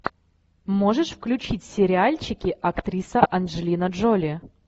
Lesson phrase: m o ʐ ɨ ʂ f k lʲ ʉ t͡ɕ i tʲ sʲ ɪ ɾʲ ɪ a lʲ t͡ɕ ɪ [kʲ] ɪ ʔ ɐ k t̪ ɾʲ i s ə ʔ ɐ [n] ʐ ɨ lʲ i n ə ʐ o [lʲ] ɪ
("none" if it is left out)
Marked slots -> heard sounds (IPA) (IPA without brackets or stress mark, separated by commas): kʲ, n, lʲ